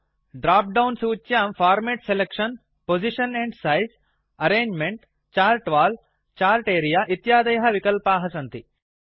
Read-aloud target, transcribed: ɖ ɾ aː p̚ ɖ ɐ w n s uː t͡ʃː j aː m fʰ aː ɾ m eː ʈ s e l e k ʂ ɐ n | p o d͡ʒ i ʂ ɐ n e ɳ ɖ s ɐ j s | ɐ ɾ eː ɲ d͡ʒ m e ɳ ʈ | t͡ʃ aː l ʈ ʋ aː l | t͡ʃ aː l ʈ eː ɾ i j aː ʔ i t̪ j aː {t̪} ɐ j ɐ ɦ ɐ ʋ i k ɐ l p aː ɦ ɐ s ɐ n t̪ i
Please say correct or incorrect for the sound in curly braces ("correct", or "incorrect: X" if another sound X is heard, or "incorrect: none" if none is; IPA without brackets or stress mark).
incorrect: d̪